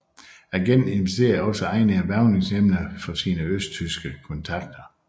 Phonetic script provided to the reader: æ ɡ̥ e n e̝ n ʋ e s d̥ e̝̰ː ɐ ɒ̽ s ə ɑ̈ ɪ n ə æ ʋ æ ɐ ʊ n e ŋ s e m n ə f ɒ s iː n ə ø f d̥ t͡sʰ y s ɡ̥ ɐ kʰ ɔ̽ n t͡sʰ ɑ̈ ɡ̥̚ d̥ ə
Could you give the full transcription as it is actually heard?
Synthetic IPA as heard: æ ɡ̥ e n e̝ n ʋ e s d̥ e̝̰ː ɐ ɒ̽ s ə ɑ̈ ɪ n ə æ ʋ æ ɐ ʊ n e ŋ s e m n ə f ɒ s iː n ə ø s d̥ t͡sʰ y s ɡ̥ ə kʰ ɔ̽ n t͡sʰ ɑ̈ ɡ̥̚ d̥ ɐ